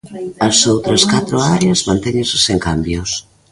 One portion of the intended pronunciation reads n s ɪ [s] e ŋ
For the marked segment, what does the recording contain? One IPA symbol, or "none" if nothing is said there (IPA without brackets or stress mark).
s